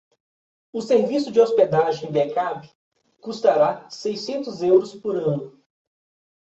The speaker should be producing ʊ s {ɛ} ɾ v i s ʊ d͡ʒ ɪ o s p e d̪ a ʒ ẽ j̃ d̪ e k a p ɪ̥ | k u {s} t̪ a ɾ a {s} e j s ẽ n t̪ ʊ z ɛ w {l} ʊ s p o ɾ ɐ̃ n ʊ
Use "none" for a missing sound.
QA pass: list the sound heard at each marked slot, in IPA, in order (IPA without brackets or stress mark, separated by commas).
e, s, s, ɾ